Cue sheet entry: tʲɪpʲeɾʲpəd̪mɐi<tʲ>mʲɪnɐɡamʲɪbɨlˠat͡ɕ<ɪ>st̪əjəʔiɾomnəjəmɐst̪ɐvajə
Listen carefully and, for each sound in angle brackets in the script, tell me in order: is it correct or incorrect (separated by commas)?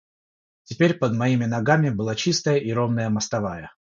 incorrect, incorrect